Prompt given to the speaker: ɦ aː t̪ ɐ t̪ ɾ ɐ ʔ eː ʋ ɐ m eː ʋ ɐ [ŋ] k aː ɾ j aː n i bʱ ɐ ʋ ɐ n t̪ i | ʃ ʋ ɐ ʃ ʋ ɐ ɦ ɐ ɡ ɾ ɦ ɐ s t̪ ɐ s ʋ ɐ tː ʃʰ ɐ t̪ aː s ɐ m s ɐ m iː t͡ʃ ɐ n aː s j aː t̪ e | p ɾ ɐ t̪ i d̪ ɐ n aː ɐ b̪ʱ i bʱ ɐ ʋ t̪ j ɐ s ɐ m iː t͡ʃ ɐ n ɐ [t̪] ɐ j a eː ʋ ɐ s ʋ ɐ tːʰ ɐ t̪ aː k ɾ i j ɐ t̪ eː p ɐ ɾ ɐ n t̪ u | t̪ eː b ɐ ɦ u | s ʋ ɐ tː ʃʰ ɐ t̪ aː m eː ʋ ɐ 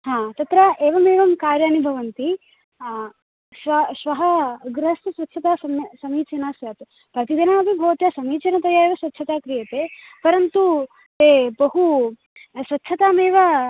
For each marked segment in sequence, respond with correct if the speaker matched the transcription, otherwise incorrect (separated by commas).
incorrect, correct